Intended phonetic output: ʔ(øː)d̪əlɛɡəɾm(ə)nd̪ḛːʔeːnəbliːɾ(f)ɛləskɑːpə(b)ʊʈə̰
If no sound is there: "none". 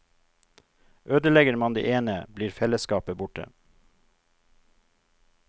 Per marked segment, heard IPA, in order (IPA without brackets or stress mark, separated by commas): øː, ɑ, f, b